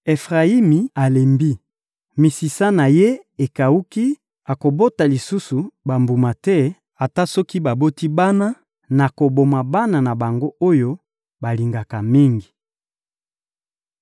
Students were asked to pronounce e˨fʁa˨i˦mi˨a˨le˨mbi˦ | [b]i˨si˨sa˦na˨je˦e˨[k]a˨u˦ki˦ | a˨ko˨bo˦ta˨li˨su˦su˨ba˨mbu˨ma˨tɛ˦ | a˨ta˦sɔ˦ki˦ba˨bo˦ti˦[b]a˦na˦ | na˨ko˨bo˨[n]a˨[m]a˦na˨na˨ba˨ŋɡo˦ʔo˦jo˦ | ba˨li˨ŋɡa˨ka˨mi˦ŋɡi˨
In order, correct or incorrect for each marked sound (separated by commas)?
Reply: incorrect, correct, correct, incorrect, incorrect